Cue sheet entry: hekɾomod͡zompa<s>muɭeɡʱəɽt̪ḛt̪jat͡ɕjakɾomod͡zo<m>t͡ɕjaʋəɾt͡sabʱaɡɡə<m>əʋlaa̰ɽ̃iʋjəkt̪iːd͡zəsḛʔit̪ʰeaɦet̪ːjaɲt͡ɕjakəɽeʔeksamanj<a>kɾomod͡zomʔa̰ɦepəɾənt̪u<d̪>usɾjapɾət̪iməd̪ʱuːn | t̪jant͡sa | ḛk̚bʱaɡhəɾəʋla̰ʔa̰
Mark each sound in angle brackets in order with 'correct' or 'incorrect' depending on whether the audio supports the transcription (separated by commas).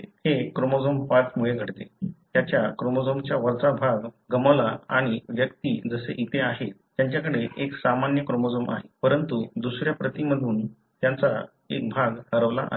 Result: incorrect, correct, correct, incorrect, correct